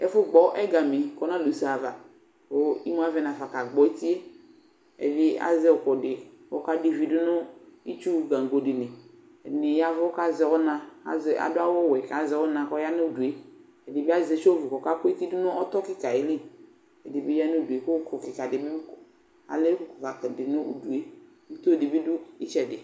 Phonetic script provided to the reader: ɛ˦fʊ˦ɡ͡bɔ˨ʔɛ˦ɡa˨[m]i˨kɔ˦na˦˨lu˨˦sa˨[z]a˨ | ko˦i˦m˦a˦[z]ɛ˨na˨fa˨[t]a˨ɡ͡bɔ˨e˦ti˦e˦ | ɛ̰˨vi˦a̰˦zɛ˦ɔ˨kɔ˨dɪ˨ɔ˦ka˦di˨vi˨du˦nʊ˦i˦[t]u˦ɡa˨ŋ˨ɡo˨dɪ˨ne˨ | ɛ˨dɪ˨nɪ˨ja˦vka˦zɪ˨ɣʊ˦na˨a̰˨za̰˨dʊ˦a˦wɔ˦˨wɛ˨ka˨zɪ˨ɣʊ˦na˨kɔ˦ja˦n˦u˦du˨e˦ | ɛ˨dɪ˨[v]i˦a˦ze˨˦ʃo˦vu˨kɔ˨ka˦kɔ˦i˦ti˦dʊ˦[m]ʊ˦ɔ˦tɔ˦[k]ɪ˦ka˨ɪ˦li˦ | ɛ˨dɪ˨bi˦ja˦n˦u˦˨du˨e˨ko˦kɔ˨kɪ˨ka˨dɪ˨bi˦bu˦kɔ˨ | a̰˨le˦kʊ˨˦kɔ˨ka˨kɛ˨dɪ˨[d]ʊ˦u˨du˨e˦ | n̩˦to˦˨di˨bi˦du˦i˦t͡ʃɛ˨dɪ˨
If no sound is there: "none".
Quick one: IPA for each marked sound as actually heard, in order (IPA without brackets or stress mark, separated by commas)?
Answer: m, v, v, k, t͡ʃ, b, n, k, n